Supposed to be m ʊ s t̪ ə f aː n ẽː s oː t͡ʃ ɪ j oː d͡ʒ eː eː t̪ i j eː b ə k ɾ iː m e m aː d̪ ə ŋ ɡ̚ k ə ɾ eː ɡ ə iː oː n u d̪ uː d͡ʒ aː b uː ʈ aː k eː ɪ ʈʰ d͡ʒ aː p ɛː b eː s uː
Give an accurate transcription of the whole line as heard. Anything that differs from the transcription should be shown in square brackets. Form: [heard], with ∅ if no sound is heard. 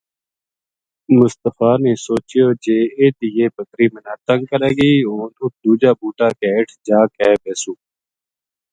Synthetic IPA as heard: m ʊ s t̪ ə f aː n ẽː s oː t͡ʃ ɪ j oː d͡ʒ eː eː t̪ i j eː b ə k ɾ iː m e [n] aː [t̪] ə ŋ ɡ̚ k ə ɾ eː ɡ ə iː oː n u d̪ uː d͡ʒ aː b uː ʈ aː k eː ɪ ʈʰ d͡ʒ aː [k] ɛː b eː s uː